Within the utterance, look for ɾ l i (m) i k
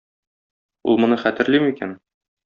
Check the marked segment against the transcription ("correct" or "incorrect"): correct